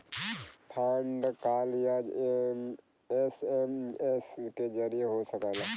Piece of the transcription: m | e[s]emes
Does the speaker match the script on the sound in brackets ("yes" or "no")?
yes